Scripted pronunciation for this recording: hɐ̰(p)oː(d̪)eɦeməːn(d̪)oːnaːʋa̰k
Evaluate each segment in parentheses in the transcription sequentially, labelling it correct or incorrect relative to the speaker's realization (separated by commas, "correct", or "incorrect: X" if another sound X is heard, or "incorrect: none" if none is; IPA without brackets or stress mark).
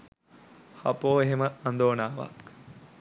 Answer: correct, incorrect: none, correct